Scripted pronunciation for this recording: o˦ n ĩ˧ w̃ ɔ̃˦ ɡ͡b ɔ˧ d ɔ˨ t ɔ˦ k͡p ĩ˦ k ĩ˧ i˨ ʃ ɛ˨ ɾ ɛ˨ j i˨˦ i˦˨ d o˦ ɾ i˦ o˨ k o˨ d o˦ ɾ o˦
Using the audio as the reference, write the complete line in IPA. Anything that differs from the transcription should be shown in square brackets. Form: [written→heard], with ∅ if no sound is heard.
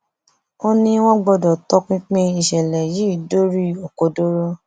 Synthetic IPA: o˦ n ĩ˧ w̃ ɔ̃˦ ɡ͡b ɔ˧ d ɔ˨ t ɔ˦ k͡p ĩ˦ [k→k͡p] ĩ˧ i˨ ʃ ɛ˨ [ɾ→l] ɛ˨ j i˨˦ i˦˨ d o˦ ɾ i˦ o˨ k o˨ d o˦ ɾ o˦